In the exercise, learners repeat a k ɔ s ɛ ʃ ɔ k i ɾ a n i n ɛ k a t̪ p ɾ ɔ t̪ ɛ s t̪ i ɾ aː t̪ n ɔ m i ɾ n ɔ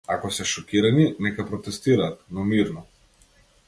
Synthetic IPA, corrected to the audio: a k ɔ s ɛ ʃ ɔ k i ɾ a n i n ɛ k a p ɾ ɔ t̪ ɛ s t̪ i ɾ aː t̪ n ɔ m i ɾ n ɔ